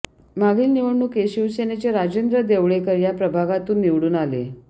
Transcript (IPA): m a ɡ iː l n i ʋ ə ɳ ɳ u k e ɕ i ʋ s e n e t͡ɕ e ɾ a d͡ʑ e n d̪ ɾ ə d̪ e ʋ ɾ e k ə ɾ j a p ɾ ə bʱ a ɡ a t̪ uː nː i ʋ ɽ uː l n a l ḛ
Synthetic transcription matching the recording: m a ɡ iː l n i ʋ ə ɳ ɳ u k e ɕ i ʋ s e n e t͡ɕ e ɾ a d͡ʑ e n d̪ ɾ ə d̪ e ʋ ɭ e k ə ɾ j a p ɾ ə bʱ a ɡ a t̪ uː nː i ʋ ɽ uː n a l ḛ

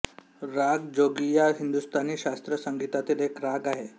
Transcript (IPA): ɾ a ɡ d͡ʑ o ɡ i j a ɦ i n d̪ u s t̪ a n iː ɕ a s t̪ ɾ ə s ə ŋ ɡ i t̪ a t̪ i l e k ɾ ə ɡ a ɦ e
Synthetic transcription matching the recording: ɾ a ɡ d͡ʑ o ɡ i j a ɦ i n d̪ u s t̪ a n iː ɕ a s t̪ ɾ ə s ə ŋ ɡ i t̪ a t̪ i l e k ɾ a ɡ a ɦ e

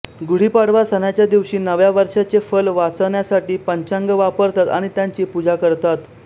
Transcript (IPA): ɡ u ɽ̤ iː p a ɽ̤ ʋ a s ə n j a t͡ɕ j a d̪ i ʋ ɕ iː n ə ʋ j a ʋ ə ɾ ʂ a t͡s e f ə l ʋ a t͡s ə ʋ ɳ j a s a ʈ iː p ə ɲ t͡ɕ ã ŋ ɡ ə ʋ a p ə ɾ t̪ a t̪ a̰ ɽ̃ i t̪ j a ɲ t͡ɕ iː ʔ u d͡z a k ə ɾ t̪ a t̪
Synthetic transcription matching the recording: ɡ u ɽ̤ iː p a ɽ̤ ʋ a s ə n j a t͡ɕ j a d̪ i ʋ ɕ iː n ə ʋ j a ʋ ə ɾ ʂ a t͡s e f ə l ʋ a t͡s ə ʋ ɳ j a s a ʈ iː p ə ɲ t͡ɕ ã ŋ ɡ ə ʋ a p ə ɾ t̪ a t̪ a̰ ɽ̃ i t̪ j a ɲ t͡ɕ iː p u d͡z a k ə ɾ t̪ a t̪

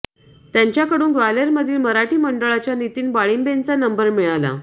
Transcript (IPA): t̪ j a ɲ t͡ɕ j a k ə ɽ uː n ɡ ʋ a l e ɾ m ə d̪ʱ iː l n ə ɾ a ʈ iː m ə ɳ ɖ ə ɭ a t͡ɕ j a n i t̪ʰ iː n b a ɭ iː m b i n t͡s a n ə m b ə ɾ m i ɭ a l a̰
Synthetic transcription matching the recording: t̪ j a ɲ t͡ɕ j a k ə ɽ uː n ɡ ʋ a l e ɾ m ə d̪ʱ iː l m ə ɾ a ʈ iː m ə ɳ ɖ ə ɭ a t͡ɕ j a n i t̪ iː n b a ɭ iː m b e n t͡s a n ə m b ə ɾ m i ɭ a l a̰

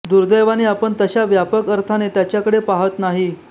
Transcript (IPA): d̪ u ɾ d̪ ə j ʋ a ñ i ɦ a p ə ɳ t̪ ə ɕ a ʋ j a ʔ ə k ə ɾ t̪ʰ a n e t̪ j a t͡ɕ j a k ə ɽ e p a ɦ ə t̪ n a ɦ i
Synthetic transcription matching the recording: d̪ u ɾ d̪ ə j ʋ a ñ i a p ə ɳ t̪ ə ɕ a ʋ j a p ə k ə ɾ t̪ʰ a n e t̪ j a t͡ɕ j a k ə ɽ e p a ɦ ə t̪ n a ɦ i

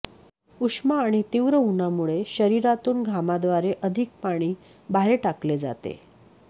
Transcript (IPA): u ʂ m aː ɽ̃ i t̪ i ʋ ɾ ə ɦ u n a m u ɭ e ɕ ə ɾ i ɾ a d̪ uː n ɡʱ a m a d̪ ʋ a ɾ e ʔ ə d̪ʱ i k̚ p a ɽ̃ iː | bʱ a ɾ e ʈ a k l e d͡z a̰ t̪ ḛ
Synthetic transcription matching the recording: u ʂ m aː ɽ̃ i t̪ i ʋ ɾ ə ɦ u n a m u ɭ e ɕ ə ɾ i ɾ a t̪ uː n ɡʱ a m a d̪ ʋ a ɾ e ʔ ə d̪ʱ i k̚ p a ɽ̃ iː | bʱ a ɾ e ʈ a k l e d͡z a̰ t̪ ḛ

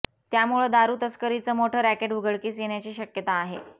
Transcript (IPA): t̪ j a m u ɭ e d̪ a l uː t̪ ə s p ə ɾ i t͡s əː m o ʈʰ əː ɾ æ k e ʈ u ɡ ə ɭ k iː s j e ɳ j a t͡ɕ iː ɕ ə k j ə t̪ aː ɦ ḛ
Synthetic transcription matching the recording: t̪ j a m u ɭ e d̪ a ɾ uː t̪ ə s k ə ɾ i t͡s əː m o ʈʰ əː ɾ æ k e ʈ u ɡ ə ɭ k iː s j e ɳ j a t͡ɕ iː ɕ ə k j ə t̪ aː ɦ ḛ

